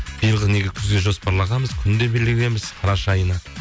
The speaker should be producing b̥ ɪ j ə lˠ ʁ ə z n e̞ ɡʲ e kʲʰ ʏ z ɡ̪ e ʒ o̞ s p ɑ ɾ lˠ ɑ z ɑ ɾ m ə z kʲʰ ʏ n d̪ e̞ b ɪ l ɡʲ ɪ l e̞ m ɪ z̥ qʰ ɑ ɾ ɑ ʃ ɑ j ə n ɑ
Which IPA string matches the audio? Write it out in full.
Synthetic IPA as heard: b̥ i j ə lˠ ʁ ə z n e̞ ɡʲ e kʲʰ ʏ z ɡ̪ e ʒ o̞ s p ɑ ɾ lˠ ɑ ʁ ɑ m ə z kʲʰ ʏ n d̪ e̞ b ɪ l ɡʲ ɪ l e̞ m ɪ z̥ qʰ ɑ ɾ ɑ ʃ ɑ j ə n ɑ